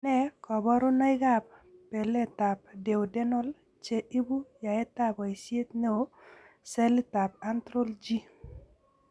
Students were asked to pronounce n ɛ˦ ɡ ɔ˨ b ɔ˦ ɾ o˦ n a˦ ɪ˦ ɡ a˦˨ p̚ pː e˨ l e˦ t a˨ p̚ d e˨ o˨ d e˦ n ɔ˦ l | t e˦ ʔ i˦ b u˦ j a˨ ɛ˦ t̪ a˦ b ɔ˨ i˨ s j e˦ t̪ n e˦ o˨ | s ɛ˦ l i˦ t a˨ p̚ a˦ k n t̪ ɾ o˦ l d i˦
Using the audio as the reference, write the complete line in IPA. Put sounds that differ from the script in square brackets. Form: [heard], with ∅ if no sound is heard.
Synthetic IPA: n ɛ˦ [k] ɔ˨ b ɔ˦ ɾ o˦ n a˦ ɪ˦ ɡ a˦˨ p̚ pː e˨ l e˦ t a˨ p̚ d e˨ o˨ d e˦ n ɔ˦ l | [t͡ʃ] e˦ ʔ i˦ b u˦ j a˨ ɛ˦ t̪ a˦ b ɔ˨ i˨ s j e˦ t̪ n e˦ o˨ | s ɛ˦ l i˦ t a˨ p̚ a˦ [∅] n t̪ ɾ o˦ l [d͡ʒ] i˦